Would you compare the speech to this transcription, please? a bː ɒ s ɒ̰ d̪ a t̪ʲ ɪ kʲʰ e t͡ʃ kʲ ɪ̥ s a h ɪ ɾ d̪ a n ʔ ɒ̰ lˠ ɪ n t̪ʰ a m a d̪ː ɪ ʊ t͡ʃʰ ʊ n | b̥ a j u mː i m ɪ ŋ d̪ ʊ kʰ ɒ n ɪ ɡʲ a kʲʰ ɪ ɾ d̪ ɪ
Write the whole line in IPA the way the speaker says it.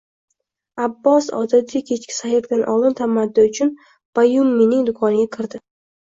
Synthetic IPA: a bː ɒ s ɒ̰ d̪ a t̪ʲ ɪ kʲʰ e t͡ʃ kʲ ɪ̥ s a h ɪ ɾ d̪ a n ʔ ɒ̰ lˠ ɪ n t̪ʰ a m a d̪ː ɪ ʊ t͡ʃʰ ʊ n | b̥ a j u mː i n ɪ ŋ d̪ ʊ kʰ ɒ n ɪ ɡʲ a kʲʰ ɪ ɾ d̪ ɪ